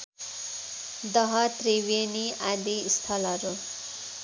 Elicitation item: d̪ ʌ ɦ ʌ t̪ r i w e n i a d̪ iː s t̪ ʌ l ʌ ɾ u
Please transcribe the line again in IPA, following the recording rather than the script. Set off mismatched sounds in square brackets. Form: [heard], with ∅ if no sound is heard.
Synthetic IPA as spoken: d̪ ʌ ɦ ʌ t̪ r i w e n i a d̪ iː s [t̪ʰ] ʌ l ʌ ɾ u